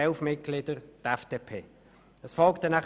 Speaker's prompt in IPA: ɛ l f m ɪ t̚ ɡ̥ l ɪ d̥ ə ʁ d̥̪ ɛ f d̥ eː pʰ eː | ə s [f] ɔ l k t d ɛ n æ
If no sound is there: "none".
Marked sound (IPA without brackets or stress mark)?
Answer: f